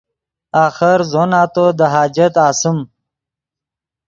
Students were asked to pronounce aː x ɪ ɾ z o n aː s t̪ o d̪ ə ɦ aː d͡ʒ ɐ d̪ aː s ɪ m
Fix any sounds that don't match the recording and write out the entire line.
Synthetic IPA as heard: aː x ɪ ɾ z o n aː t̪ o d̪ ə ɦ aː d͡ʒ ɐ t̪ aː s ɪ m

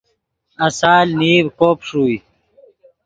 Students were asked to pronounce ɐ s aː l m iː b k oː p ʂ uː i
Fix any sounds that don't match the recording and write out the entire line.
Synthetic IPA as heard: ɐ s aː l n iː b k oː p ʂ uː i

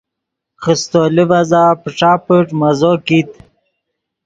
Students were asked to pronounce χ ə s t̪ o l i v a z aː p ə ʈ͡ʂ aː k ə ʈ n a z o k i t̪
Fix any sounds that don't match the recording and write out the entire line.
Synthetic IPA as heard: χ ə s t̪ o l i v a z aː p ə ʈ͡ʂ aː p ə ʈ m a z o k i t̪

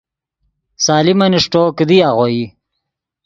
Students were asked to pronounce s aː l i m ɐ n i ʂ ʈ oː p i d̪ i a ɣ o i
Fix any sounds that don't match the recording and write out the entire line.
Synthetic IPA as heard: s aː l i m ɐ n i ʂ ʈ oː k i d̪ i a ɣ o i

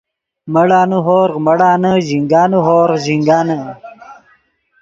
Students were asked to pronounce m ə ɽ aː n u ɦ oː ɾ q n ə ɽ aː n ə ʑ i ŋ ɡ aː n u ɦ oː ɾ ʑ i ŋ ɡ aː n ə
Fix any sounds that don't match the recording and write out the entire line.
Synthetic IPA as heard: m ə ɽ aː n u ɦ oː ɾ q m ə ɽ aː n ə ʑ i ŋ ɡ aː n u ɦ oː ɾ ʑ i ŋ ɡ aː n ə

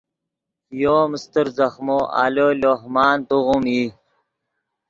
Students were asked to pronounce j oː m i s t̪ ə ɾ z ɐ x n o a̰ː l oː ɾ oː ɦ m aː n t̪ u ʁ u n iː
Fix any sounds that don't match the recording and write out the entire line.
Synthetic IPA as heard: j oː m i s t̪ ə ɾ z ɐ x m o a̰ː l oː l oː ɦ m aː n t̪ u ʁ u m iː

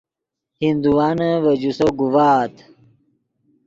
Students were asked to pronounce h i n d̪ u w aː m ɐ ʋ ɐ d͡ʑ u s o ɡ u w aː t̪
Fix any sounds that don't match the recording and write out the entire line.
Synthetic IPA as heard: h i n d̪ u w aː n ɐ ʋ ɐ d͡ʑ u s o ɡ u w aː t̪

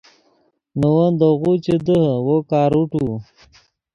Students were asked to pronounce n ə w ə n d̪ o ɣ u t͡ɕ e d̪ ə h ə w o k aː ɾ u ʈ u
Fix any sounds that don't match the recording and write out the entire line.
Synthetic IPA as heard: n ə w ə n d̪ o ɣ u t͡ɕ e d̪ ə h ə w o k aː ɾ u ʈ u

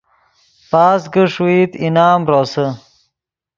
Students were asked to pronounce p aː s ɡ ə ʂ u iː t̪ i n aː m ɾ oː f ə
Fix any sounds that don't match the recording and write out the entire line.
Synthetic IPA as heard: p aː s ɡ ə ʂ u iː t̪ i n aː m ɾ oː s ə

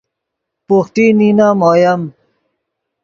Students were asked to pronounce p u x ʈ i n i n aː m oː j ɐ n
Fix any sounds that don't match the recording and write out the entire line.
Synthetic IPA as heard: p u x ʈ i n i n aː m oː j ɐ m

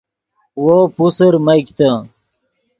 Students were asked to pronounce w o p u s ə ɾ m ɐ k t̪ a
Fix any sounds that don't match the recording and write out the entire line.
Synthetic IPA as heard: w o p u s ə ɾ m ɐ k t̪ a

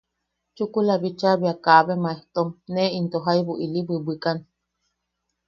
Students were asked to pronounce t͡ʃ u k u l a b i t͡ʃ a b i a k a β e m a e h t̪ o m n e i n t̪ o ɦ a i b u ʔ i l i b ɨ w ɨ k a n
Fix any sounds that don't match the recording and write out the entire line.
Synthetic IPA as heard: t͡ʃ u k u l a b i t͡ʃ a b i a k a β e m a e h t̪ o m n e i n t̪ o ɦ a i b u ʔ i l i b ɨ b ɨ k a n

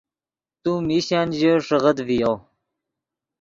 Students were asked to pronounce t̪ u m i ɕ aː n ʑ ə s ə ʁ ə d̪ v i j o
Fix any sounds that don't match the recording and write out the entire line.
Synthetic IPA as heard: t̪ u m i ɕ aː n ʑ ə ʂ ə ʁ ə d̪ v i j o

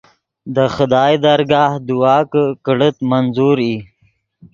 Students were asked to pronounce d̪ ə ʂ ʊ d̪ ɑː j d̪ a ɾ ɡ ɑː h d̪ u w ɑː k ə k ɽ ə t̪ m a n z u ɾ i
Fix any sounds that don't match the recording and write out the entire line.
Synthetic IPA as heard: d̪ ə x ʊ d̪ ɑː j d̪ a ɾ ɡ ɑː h d̪ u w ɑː k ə k ɽ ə t̪ m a n z u ɾ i

